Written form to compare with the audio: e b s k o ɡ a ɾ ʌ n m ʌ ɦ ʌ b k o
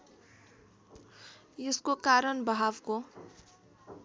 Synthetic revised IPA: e s k o k a ɾ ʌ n b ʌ ɦ a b k o